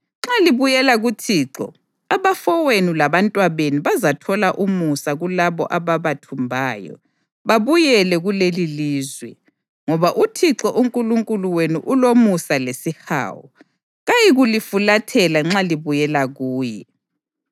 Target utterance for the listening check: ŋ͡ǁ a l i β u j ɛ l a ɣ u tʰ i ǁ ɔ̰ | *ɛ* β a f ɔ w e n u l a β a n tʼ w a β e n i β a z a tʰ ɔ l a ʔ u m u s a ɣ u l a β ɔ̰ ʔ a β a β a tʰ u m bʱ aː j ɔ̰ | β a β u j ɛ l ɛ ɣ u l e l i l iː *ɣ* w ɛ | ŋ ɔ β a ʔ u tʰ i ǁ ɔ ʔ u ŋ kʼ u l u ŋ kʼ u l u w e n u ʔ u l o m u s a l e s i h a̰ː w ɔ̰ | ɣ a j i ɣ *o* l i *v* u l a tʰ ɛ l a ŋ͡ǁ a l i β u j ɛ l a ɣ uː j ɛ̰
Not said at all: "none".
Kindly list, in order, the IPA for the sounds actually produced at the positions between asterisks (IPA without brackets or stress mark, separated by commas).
a, z, u, f